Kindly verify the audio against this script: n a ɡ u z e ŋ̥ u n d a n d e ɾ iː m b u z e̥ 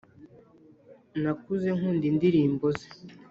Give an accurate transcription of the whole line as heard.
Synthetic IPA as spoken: n a k u z e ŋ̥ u n d i n d i ɾ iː m b o z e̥